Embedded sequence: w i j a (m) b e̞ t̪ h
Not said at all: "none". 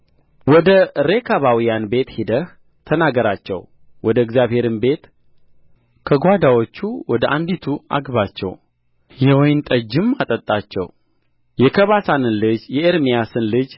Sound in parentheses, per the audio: n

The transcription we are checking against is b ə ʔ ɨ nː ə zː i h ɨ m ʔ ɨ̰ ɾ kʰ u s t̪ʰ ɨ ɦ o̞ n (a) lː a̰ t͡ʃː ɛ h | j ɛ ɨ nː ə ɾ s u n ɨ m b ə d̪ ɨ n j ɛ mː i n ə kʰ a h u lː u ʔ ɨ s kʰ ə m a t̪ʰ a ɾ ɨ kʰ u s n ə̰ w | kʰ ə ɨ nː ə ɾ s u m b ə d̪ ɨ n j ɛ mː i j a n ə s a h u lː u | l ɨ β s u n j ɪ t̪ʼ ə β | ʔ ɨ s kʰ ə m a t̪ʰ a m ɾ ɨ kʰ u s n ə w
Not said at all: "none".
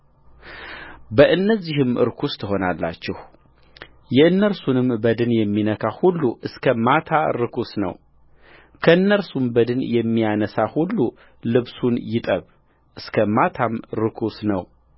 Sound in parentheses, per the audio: a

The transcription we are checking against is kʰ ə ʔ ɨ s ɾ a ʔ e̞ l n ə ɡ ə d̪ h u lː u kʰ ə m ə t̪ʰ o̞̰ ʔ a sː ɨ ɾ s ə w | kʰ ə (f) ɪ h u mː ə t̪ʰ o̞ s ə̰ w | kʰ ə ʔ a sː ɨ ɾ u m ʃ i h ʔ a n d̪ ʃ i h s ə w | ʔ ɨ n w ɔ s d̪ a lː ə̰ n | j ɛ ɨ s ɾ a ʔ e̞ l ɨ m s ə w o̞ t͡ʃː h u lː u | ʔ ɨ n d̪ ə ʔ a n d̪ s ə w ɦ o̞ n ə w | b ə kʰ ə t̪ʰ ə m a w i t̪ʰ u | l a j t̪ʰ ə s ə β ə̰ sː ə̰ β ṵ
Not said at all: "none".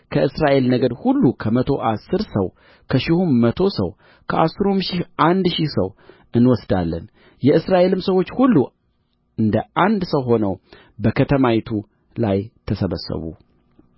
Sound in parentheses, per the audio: ʃ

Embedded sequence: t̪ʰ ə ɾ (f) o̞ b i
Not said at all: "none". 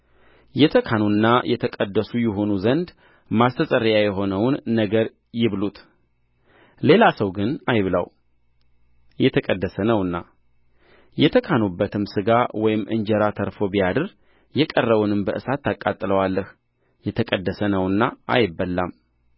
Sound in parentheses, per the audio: f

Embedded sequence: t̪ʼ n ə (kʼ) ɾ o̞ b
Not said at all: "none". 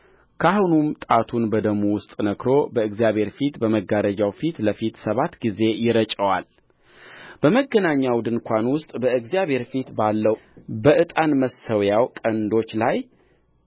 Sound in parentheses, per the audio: k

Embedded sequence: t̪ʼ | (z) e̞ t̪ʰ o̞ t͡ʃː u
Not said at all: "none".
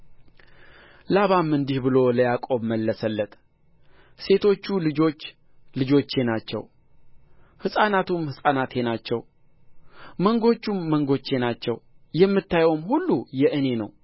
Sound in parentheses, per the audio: s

